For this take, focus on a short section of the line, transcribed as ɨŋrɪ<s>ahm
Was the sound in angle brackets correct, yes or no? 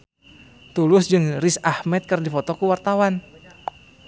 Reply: yes